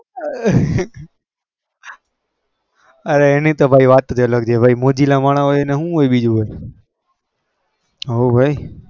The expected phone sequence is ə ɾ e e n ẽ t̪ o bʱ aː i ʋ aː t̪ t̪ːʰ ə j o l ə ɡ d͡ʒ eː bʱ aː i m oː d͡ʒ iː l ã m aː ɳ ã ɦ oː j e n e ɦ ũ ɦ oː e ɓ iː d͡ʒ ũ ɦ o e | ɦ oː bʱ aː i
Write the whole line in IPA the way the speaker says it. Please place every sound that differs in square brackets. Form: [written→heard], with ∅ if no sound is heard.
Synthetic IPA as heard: ə ɾ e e n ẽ t̪ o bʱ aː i ʋ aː t̪ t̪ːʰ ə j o l ə ɡ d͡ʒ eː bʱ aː i m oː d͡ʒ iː l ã m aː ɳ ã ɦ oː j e n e ɦ ũ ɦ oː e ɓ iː d͡ʒ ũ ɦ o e | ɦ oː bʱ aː i